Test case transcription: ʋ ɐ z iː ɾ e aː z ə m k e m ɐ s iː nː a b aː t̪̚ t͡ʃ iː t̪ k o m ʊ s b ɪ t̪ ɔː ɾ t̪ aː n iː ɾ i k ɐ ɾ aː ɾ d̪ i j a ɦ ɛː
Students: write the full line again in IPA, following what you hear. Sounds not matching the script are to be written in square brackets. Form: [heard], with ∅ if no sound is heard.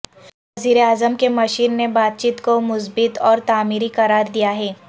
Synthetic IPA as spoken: ʋ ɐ z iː ɾ e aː z ə m k e m ɐ [ʃ] iː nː [e] b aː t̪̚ t͡ʃ iː t̪ k o m ʊ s b ɪ t̪ ɔː ɾ t̪ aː [m] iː ɾ i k ɐ ɾ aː ɾ d̪ i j a ɦ ɛː